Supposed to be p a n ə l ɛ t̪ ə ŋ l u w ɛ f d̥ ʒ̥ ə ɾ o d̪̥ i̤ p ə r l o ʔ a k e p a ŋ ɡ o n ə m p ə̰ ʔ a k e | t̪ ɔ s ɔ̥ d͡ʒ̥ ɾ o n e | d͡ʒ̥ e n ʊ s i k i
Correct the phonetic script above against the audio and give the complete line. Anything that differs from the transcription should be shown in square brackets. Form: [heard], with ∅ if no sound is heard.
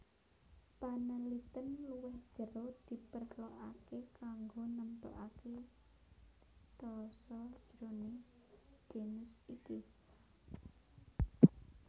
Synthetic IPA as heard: p a n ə l [i] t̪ ə [n] l u w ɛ [h] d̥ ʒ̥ ə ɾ o d̪̥ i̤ p ə r l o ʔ a k e [k] a ŋ ɡ o n ə m p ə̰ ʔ a k e | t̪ ɔ s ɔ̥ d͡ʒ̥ ɾ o n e | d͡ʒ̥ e n ʊ s i k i